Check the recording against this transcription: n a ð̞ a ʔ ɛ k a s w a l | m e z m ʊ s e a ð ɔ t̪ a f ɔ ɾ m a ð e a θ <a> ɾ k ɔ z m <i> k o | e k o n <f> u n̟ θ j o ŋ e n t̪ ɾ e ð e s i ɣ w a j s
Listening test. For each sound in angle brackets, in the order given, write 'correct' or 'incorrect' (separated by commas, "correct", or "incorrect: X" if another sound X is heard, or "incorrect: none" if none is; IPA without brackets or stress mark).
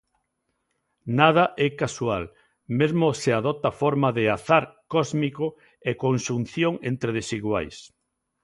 correct, correct, incorrect: ʃ